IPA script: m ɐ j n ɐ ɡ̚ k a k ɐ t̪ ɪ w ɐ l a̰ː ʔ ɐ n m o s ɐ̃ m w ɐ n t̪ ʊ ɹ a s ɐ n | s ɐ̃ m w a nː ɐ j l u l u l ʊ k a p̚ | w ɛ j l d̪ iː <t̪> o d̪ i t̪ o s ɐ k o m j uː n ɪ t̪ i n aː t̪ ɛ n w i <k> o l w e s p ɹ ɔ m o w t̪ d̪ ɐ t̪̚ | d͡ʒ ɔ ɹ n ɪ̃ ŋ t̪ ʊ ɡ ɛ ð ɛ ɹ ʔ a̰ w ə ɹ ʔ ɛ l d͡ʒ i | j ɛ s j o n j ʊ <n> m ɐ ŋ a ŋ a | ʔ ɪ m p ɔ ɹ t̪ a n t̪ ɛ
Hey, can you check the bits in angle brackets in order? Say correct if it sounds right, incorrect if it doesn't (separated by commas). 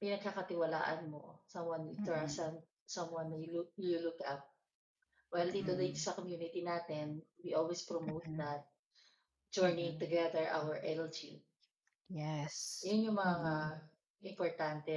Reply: correct, incorrect, incorrect